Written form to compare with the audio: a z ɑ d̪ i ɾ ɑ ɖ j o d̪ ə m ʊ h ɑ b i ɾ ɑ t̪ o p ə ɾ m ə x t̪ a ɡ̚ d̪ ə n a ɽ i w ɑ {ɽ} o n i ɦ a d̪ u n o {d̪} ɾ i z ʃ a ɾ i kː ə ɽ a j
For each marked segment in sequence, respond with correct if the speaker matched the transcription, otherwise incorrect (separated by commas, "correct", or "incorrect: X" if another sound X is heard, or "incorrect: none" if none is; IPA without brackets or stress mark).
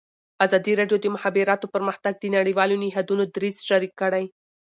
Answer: incorrect: l, correct